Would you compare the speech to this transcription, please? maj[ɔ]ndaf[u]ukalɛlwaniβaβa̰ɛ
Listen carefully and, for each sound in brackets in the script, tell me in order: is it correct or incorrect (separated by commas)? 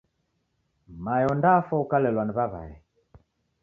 correct, incorrect